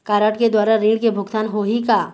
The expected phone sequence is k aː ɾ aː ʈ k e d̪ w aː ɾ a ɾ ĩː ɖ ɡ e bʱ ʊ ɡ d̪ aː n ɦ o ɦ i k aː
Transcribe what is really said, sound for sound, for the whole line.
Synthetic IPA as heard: k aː ɾ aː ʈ k e d̪ w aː ɾ a ɾ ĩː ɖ k e bʱ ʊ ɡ t̪ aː n ɦ o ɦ i k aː